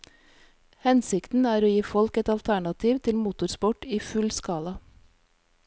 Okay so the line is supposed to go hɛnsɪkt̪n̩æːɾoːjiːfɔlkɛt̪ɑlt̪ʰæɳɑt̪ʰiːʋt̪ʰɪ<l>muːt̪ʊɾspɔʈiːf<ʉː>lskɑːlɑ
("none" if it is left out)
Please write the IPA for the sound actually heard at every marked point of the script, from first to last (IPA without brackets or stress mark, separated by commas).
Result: l, ʉ